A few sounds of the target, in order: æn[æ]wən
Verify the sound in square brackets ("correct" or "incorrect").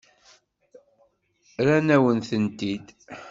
correct